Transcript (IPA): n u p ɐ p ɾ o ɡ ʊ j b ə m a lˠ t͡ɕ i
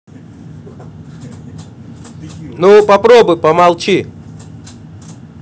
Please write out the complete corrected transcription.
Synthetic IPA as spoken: n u p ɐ p ɾ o b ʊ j p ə m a lˠ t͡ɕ i